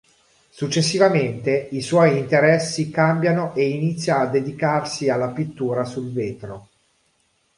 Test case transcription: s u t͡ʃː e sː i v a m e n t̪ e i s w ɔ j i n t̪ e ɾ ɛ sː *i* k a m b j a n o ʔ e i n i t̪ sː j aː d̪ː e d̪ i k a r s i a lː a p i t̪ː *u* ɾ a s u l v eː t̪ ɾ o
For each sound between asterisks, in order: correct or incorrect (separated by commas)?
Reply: correct, incorrect